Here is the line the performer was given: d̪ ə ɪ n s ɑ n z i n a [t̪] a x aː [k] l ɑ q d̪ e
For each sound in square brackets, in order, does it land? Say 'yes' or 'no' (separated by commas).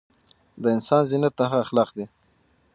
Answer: yes, no